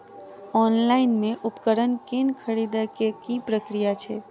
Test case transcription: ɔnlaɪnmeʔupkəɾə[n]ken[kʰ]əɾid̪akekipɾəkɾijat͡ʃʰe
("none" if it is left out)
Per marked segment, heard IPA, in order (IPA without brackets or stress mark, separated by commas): n, kʰ